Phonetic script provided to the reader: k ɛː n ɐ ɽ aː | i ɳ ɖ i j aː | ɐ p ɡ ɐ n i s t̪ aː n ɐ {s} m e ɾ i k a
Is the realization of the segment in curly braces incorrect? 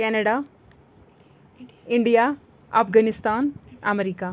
yes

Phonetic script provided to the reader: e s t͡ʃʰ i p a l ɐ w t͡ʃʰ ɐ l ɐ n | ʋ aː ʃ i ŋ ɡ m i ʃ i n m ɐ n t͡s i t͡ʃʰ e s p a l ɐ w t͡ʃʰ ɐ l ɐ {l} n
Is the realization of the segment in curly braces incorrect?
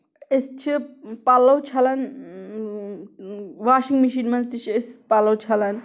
yes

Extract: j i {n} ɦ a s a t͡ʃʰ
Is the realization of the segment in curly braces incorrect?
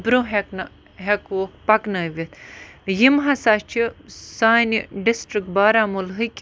yes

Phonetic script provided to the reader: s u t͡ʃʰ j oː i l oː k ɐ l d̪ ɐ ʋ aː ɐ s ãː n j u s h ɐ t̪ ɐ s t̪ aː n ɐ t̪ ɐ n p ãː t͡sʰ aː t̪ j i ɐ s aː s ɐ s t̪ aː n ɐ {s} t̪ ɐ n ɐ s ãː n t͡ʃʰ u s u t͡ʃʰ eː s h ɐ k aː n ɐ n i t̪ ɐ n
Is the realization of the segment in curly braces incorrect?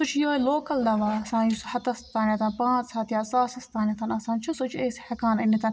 yes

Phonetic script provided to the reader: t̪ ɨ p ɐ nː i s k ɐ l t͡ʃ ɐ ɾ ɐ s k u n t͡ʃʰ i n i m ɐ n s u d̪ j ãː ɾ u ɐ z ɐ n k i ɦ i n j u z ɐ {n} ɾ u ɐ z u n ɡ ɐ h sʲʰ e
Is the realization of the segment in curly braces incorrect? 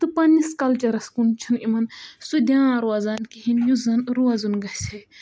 no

